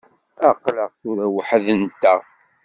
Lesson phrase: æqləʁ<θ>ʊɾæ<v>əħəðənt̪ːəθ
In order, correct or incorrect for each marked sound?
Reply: correct, incorrect: w

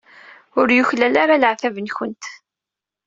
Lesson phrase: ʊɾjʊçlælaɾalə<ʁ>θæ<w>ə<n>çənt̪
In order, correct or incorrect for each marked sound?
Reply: incorrect: ʕ, incorrect: v, correct

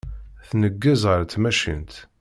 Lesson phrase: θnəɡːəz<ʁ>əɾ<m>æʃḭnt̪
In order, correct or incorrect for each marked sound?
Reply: correct, correct

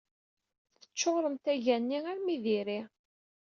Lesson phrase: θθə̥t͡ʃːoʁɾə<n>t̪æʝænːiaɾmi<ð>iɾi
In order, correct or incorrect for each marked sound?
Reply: incorrect: m, correct

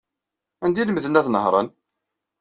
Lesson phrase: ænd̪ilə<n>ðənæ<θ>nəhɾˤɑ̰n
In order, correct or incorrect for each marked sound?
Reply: incorrect: m, correct

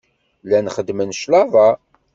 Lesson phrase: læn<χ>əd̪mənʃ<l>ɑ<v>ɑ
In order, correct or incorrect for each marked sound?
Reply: correct, correct, correct

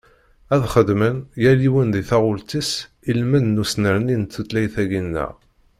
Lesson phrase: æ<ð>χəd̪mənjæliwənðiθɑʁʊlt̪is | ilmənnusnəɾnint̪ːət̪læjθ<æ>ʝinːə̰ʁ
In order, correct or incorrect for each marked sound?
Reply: correct, correct

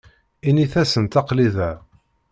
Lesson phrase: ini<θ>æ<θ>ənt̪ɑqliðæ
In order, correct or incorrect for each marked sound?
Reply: correct, incorrect: s

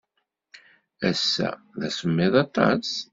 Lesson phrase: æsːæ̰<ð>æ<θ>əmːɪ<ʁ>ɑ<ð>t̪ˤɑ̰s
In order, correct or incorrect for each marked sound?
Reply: correct, incorrect: s, incorrect: ð, incorrect: none

